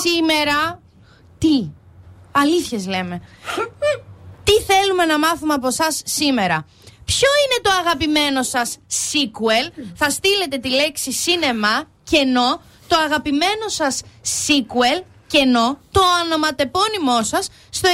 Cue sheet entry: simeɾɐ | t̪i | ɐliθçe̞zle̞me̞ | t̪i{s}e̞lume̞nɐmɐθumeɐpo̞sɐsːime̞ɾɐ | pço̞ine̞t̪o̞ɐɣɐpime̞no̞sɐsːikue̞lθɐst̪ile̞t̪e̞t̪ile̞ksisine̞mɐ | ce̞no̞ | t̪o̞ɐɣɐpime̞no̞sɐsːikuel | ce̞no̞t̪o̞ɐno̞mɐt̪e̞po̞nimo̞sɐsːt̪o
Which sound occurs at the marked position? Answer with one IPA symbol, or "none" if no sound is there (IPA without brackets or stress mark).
θ